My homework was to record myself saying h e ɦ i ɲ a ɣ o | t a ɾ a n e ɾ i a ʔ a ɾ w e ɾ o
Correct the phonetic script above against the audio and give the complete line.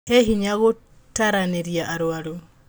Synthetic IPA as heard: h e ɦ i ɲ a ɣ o | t a ɾ a n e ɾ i a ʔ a ɾ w a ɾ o